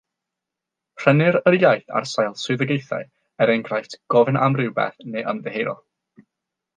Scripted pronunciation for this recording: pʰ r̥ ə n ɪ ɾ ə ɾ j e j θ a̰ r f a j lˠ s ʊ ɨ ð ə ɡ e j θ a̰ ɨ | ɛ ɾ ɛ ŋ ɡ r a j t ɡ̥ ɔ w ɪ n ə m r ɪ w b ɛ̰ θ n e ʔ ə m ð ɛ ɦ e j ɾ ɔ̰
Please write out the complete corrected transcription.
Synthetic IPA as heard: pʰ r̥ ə n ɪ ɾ ə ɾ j a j θ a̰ r s a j lˠ s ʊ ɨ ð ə ɡ e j θ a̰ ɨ | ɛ ɾ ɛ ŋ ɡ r a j t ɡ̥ ɔ v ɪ n a m r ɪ w b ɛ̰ θ n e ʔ ə m ð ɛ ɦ e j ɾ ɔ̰

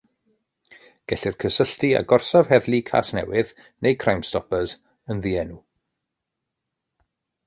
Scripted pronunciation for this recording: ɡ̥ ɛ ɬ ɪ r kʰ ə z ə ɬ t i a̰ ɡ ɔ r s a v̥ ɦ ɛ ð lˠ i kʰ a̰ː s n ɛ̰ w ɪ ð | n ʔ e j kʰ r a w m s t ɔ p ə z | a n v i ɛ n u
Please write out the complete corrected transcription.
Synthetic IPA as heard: ɡ̥ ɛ ɬ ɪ r kʰ ə s ə ɬ t i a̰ ɡ ɔ r s a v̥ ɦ ɛ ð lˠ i kʰ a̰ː s n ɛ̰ w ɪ ð | n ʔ e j kʰ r a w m s t ɔ p ə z | ə n ð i ɛ n u

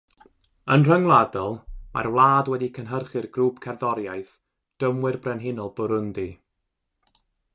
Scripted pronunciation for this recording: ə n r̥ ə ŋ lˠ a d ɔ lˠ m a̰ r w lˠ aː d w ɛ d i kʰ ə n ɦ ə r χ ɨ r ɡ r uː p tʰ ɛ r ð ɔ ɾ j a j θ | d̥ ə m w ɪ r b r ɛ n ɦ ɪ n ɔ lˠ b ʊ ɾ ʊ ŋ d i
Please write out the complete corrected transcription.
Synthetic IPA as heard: ə n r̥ ə ŋ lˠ a d ɔ lˠ m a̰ r w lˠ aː d w ɛ d i kʰ ə n ɦ ə r χ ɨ r ɡ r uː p kʰ ɛ r ð ɔ ɾ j a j θ | d̥ ə m w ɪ r b r ɛ n ɦ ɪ n ɔ lˠ b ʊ ɾ ʊ n d i

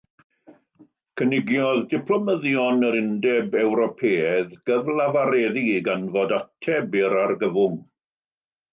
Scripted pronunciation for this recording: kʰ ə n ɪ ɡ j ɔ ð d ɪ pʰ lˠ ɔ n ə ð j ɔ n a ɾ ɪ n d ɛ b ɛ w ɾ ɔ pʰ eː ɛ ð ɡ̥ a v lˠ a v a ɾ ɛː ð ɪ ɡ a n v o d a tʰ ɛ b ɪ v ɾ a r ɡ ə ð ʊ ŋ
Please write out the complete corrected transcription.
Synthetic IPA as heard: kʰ ə n ɪ ɡ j ɔ ð d ɪ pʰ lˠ ɔ m ə ð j ɔ n ə ɾ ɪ n d ɛ b ɛ w ɾ ɔ pʰ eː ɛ ð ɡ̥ ə v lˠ a v a ɾ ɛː ð i ɡ a n v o d a tʰ ɛ b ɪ ɾ a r ɡ ə v ʊ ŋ

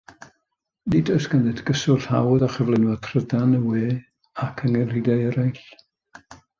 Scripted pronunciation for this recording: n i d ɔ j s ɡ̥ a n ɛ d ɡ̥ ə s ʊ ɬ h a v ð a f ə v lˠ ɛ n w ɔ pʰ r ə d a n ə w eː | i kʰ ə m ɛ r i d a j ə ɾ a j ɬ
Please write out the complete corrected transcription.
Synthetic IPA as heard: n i d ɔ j s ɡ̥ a n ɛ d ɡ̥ ə s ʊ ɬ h a w ð a χ ə v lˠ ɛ n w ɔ tʰ r ə d a n ə w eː | a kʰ ə ŋ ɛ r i d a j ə ɾ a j ɬ

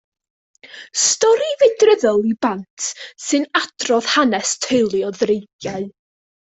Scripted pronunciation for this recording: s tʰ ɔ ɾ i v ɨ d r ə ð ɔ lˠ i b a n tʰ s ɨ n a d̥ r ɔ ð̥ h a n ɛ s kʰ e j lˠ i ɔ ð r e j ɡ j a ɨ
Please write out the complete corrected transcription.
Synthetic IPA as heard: s t ɔ ɾ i v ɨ d r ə ð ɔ lˠ i b a n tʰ s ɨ n a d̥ r ɔ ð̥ h a n ɛ s tʰ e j lˠ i ɔ ð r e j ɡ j a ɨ

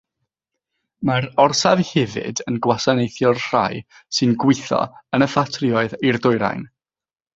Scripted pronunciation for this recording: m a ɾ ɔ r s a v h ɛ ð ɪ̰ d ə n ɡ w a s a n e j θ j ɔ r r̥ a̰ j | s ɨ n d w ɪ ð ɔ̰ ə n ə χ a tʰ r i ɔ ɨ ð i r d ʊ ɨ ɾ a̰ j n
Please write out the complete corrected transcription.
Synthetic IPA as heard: m a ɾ ɔ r s a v h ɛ v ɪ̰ d ə n ɡ w a s a n e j θ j ɔ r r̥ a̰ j | s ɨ n ɡ w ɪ θ ɔ̰ ə n ə f a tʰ r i ɔ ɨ ð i r d ʊ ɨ ɾ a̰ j n

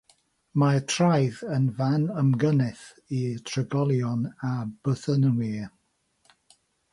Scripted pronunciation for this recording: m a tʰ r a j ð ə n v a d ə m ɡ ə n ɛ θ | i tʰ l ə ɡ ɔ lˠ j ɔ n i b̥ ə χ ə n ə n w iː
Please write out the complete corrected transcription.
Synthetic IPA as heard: m a tʰ r a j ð ə n v a n ə m ɡ ə n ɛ θ | i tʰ r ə ɡ ɔ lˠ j ɔ n a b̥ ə θ ə n ə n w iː

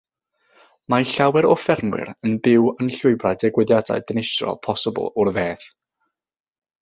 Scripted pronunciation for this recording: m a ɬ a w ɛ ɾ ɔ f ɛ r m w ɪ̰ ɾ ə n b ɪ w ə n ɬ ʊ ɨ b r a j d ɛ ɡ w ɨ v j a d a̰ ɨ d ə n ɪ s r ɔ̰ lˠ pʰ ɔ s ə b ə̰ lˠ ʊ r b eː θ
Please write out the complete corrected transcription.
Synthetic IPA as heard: m a ɬ a w ɛ ɾ ɔ f ɛ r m w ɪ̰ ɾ ə n b ɪ w ə n ɬ ʊ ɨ b r a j d ɛ ɡ w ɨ ð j a d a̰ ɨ d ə n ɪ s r ɔ̰ lˠ pʰ ɔ s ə b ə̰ lˠ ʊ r v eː θ

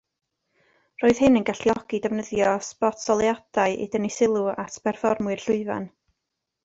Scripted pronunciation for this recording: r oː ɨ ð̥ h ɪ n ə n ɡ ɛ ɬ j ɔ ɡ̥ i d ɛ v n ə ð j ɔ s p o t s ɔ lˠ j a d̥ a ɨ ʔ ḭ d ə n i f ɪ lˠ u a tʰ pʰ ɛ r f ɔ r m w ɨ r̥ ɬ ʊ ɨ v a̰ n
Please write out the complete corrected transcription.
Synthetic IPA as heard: r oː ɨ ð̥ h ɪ n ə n ɡ a ɬ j ɔ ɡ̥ i d ɛ v n ə ð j ɔ s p ɔ t s ɔ lˠ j a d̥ a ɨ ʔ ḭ d ə n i s ɪ lˠ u a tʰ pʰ ɛ r f ɔ r m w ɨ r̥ ɬ ʊ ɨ v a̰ n

